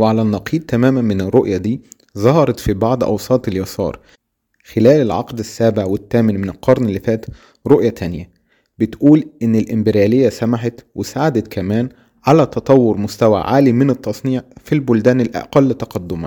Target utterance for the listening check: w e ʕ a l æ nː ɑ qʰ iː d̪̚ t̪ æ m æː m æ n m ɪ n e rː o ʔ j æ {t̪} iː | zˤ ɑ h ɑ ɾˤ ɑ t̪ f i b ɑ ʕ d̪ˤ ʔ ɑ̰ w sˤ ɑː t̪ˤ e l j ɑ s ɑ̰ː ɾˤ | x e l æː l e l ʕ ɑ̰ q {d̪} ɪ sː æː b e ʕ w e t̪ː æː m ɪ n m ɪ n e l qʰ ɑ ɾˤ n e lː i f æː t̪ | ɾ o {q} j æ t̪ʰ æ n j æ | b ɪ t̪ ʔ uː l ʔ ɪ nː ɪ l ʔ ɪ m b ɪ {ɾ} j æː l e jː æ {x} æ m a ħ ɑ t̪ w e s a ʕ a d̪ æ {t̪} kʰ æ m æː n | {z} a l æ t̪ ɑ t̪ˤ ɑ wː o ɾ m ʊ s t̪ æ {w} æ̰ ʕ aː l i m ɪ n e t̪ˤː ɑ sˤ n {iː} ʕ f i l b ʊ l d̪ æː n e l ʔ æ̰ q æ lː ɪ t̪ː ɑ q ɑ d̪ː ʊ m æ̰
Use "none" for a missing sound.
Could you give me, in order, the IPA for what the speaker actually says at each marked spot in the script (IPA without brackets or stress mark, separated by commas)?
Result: d̪, d̪, ʔ, ɾ, s, t̪, ʕ, w, iː